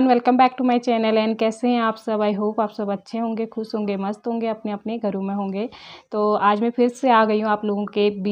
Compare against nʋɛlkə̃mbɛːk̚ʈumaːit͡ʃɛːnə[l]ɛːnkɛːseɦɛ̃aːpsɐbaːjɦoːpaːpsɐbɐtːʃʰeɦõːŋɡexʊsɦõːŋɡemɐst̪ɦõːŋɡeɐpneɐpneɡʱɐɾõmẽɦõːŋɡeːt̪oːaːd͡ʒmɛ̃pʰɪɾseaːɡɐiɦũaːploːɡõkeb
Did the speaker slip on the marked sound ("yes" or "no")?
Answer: no